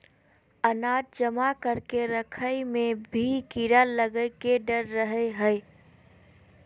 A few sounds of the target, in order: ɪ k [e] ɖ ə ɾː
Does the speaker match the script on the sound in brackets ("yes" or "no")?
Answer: yes